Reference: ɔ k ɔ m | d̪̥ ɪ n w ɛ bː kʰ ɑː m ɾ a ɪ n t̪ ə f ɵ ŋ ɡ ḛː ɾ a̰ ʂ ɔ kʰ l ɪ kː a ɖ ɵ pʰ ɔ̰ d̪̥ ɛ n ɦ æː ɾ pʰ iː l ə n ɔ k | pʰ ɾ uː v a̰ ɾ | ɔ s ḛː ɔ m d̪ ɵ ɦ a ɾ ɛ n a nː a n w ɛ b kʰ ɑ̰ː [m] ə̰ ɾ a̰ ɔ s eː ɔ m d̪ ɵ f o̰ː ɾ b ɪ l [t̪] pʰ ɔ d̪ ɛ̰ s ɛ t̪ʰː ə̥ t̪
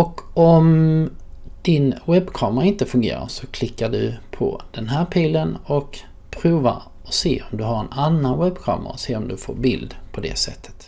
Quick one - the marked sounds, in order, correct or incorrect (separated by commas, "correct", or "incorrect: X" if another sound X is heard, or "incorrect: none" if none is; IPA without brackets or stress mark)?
correct, incorrect: d̪